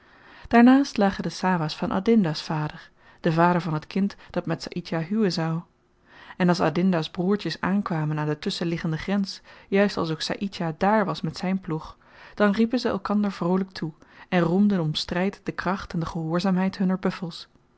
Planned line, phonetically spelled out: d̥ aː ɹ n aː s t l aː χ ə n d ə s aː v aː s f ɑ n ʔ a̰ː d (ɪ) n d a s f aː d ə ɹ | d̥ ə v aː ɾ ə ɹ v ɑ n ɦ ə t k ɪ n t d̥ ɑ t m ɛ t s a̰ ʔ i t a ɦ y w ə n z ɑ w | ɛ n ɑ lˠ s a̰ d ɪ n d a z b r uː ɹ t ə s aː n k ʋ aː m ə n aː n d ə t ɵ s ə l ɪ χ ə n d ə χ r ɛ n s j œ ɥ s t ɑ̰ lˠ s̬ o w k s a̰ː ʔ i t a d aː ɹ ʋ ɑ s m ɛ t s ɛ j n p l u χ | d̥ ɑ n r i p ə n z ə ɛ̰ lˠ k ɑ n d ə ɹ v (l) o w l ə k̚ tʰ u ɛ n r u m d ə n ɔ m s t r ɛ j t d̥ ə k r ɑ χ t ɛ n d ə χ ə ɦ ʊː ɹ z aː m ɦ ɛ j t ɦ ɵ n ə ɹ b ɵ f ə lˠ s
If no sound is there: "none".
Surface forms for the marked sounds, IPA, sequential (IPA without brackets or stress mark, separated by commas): ɪ, r